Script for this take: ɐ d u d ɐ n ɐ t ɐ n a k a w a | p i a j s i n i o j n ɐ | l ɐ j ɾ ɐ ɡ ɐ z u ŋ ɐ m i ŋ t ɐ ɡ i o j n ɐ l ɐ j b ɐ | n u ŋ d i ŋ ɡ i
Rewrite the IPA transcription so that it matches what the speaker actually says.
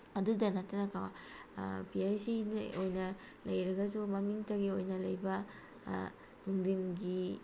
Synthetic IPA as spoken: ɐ d u d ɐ n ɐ t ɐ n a k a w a | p i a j s i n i o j n ɐ | l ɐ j ɾ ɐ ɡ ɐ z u m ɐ m i ŋ t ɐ ɡ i o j n ɐ l ɐ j b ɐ | n u ŋ d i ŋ ɡ i